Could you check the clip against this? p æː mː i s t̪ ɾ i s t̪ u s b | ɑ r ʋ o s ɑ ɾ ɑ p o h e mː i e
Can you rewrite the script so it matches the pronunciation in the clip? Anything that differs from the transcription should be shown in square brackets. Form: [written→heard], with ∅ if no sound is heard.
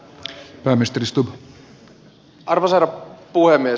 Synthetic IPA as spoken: p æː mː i s t̪ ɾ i s t̪ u [s→∅] b | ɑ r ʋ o s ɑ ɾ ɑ p [o→u] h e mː i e